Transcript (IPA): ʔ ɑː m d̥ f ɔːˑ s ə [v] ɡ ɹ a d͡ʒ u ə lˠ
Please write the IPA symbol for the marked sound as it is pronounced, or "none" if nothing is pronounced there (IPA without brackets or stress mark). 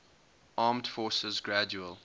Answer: z